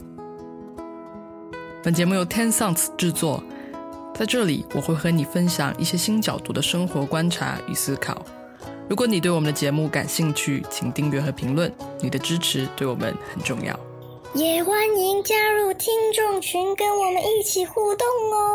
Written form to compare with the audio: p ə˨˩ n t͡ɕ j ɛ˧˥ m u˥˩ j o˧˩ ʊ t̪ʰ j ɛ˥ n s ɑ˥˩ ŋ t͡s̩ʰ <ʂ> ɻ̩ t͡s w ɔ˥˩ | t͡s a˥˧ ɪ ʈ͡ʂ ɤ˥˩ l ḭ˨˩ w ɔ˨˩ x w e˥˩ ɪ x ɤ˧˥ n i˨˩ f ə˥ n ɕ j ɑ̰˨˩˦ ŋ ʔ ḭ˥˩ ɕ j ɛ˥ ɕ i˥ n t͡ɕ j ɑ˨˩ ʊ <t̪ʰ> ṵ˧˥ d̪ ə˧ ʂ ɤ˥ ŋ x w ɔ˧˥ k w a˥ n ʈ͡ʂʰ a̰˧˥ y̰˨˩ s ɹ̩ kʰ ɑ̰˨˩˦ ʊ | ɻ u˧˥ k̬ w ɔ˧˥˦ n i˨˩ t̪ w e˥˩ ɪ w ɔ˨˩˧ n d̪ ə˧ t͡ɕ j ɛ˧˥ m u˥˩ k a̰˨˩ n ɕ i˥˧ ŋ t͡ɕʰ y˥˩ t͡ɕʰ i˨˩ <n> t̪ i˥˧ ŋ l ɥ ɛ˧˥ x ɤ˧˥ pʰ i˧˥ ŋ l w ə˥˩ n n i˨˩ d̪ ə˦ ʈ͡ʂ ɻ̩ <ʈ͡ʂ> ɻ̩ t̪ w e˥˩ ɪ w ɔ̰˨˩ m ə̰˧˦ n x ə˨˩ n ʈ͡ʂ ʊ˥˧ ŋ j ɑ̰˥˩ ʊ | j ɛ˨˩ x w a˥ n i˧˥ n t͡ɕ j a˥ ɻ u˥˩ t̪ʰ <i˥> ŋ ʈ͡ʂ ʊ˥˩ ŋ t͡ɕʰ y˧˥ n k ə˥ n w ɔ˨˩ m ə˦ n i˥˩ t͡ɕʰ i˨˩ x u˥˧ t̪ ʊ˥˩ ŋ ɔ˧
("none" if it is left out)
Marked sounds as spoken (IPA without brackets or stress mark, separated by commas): ʈ͡ʂ, t̪, ŋ, ʈ͡ʂʰ, i˥